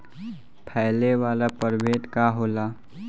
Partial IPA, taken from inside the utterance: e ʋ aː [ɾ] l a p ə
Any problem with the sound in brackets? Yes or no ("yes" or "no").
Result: yes